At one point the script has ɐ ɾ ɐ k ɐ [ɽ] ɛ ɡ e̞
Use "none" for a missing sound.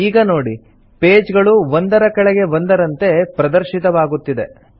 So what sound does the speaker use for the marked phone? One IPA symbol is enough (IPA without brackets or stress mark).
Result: ɭ